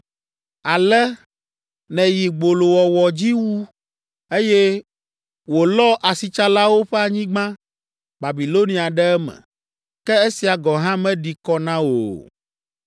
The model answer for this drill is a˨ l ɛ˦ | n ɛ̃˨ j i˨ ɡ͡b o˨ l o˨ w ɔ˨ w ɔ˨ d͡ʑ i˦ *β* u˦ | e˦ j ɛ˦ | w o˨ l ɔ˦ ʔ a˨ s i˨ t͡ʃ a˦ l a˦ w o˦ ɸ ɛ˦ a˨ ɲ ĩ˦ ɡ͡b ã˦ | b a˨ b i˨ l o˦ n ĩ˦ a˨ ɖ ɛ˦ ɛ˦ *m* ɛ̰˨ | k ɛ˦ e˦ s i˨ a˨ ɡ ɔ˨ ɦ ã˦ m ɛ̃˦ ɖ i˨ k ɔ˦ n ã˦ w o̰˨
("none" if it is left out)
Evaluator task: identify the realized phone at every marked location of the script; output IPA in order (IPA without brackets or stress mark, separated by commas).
w, m